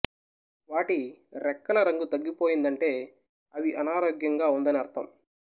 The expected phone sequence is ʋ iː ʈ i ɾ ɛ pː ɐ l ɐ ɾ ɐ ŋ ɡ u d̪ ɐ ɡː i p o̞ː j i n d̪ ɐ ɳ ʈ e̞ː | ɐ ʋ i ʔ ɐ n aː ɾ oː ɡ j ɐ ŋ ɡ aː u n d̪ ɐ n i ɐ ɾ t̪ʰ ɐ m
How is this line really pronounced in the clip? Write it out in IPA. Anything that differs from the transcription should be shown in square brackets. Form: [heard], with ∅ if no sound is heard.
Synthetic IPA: ʋ [aː] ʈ i ɾ ɛ [kː] ɐ l ɐ ɾ ɐ ŋ ɡ u [t̪] ɐ ɡː i p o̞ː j i n d̪ ɐ ɳ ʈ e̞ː | ɐ ʋ i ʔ ɐ n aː ɾ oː ɡ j ɐ ŋ ɡ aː u n d̪ ɐ n i ɐ ɾ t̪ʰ ɐ m